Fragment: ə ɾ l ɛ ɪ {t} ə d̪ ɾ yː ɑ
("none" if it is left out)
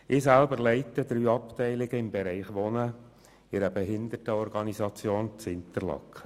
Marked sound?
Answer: t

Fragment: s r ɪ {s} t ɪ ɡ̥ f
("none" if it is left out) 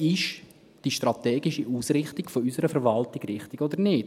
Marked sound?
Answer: χ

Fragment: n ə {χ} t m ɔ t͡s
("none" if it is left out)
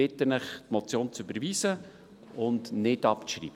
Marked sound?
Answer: χ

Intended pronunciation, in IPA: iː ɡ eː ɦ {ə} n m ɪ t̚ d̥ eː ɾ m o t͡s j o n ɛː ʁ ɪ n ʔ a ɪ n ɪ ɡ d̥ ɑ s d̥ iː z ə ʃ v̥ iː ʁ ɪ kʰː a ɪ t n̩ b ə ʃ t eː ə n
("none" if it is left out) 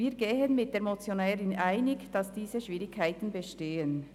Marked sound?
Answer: ə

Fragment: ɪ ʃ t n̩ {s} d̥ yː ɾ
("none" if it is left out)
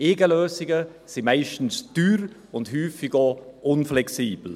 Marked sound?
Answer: s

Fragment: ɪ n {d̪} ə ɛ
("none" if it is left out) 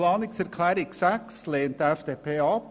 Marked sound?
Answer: t̪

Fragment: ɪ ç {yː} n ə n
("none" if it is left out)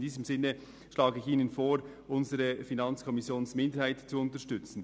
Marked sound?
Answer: iː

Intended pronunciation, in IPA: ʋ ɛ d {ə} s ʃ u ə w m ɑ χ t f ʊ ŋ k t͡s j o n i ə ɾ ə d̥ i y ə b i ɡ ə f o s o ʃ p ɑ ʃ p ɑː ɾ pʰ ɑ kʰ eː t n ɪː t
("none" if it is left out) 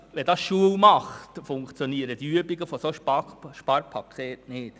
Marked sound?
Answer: ɑ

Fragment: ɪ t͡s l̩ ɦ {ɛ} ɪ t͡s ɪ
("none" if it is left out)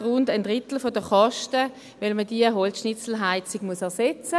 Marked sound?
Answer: a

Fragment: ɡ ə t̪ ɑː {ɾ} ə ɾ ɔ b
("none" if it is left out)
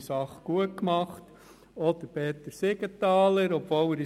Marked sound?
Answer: l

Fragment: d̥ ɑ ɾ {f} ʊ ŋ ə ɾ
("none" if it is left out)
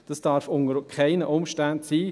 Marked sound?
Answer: f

